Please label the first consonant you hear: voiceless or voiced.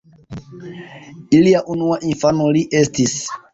voiced